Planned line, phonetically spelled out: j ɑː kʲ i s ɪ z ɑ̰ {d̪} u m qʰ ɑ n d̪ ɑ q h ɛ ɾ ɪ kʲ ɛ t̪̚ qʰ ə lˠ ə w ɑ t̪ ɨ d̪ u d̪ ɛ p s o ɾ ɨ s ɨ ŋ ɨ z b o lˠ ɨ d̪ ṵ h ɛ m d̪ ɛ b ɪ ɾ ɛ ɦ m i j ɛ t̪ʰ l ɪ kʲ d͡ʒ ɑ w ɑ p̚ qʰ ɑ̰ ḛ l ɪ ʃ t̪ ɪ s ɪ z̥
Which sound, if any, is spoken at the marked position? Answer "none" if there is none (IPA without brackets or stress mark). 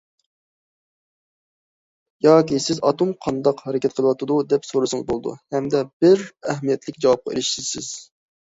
t̪